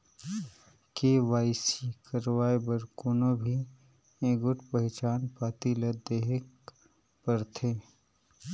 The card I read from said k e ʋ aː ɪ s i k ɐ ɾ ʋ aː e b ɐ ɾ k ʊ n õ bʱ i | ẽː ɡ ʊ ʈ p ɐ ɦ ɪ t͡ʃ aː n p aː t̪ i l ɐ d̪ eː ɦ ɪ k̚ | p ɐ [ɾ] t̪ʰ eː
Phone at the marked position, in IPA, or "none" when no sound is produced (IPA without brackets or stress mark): ɾ